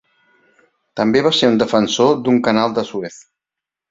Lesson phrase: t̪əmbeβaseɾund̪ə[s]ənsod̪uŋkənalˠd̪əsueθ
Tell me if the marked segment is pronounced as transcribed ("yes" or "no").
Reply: no